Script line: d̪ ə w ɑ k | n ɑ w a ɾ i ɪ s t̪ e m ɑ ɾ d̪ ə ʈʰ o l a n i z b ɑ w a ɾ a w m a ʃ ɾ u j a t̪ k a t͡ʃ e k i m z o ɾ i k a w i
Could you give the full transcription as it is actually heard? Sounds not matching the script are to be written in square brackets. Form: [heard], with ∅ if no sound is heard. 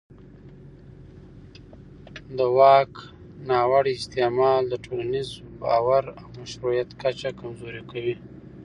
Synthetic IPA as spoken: d̪ ə w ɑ k | n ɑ w a [ɽ] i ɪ s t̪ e m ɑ [l] d̪ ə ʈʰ o l a n i z b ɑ w a ɾ a w m a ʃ ɾ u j a t̪ k a t͡ʃ [a] k [a] m z o ɾ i k a w i